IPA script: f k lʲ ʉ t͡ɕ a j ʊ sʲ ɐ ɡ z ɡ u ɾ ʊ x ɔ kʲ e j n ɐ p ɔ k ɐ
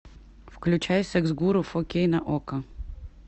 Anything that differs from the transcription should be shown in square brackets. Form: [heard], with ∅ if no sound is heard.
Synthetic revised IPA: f k lʲ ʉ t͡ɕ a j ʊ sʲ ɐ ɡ z ɡ u ɾ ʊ [f] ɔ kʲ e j n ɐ [ʔ] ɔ k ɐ